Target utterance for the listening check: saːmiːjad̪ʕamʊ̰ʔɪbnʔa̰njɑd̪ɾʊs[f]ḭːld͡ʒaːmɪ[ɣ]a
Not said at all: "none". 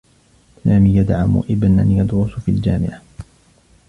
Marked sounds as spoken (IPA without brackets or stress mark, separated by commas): f, ʕ